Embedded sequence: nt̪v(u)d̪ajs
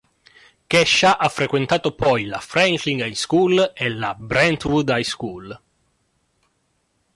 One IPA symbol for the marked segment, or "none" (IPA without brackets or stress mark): u